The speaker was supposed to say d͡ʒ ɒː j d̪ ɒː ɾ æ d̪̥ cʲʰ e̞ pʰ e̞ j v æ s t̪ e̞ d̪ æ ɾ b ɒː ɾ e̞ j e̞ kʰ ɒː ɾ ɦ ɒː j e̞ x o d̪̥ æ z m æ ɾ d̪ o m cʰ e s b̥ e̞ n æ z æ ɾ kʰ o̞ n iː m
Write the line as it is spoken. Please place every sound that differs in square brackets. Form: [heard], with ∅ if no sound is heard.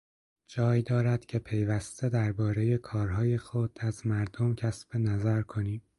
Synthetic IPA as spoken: d͡ʒ ɒː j d̪ ɒː ɾ æ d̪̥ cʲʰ e̞ pʰ e̞ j v æ s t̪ e̞ d̪ æ ɾ b ɒː ɾ e̞ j e̞ kʰ ɒː ɾ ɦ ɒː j e̞ x o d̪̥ æ z m æ ɾ d̪ o m cʰ [æ] s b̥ e̞ n æ z æ ɾ kʰ o̞ n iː m